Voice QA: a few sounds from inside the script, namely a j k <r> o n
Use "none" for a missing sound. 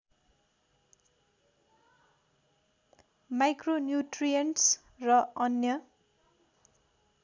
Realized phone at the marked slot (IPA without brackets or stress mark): r